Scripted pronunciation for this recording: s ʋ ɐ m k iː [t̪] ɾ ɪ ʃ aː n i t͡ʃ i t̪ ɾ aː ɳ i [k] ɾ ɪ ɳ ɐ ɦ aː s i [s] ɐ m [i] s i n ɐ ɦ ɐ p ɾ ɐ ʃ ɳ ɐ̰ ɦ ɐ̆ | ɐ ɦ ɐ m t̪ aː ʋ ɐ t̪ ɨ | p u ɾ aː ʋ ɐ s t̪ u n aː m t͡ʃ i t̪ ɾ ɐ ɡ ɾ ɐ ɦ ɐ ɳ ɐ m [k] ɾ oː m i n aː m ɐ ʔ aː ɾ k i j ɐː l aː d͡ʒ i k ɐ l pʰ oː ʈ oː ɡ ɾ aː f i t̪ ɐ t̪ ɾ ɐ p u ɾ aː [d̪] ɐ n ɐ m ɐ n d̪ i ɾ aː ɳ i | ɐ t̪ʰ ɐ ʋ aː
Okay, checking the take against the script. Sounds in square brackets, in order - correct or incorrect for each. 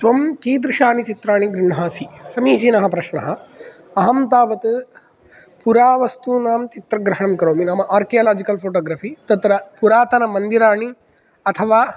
incorrect: d̪, incorrect: ɡ, correct, incorrect: iː, correct, incorrect: t̪

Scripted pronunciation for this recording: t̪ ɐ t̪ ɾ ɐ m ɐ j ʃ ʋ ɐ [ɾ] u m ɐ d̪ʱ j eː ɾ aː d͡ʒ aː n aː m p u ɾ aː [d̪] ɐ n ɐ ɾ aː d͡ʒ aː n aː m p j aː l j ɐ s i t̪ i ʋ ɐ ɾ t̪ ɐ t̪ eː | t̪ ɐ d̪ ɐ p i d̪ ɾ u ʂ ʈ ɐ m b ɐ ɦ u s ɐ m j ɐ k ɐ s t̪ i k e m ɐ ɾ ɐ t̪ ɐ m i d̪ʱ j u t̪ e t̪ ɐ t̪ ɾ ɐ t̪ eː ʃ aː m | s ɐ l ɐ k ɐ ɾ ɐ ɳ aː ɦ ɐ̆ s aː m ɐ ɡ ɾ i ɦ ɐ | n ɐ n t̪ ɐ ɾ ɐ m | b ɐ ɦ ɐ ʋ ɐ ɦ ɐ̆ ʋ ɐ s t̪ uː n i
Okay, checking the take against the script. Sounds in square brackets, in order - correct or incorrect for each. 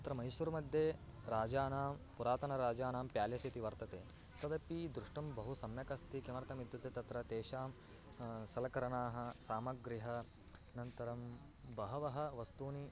correct, incorrect: t̪

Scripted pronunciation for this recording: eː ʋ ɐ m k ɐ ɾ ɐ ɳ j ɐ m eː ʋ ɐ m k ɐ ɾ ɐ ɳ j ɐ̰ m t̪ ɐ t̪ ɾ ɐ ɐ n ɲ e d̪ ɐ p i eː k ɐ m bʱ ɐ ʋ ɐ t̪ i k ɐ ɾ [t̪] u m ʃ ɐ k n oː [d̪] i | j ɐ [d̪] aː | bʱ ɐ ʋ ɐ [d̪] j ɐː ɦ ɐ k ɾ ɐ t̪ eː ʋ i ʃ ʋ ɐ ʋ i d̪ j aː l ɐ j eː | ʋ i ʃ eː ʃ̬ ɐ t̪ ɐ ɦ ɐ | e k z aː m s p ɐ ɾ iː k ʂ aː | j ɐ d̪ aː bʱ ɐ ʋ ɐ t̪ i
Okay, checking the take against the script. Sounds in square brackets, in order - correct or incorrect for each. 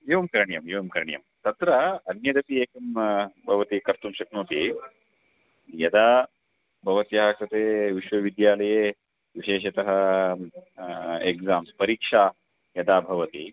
correct, incorrect: t̪, correct, incorrect: t̪

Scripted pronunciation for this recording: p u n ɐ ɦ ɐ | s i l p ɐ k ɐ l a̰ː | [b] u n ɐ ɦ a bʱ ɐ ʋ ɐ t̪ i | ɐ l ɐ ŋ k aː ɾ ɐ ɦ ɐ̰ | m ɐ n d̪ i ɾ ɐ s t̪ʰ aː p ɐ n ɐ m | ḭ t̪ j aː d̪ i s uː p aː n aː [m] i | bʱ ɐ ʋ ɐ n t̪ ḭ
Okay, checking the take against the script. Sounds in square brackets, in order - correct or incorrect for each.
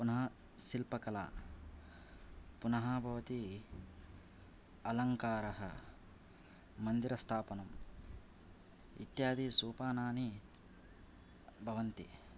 incorrect: p, incorrect: n

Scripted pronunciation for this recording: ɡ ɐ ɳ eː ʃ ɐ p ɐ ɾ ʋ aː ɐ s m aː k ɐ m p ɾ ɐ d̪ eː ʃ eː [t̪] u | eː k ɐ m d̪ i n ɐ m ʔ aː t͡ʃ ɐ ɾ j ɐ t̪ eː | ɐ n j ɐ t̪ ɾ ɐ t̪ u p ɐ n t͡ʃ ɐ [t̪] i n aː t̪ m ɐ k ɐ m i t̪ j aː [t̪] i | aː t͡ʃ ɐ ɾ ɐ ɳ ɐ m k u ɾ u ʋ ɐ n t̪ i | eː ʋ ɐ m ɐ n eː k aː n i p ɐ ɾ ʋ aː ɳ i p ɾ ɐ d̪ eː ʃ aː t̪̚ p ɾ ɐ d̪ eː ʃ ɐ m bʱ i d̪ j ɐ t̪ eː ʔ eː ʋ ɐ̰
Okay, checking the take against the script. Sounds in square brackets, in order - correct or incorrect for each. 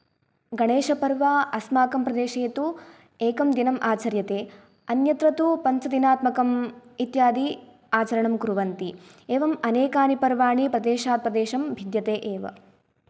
correct, incorrect: d̪, incorrect: d̪

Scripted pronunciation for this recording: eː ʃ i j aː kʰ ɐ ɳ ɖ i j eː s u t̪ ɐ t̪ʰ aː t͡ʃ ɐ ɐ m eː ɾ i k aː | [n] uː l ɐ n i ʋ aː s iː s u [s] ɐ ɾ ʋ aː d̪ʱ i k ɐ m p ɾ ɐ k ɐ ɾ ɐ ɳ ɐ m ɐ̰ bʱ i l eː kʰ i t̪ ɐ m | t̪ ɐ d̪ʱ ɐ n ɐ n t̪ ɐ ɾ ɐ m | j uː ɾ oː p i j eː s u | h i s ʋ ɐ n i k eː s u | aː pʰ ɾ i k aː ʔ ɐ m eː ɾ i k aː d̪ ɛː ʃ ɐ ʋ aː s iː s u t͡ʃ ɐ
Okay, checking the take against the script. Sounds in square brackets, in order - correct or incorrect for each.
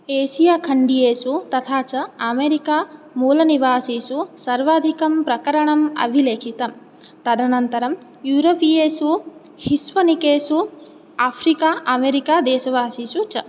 incorrect: m, correct

